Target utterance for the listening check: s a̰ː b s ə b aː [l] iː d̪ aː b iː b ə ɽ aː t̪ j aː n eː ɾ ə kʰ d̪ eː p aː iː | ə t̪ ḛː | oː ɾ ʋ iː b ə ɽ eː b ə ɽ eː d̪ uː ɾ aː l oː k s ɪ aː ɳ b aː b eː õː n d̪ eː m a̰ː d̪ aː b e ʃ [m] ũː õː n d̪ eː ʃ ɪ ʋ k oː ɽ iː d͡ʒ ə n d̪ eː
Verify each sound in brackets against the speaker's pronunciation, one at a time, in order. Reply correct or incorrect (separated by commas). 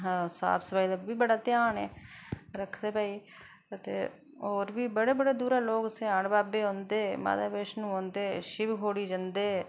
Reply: incorrect, incorrect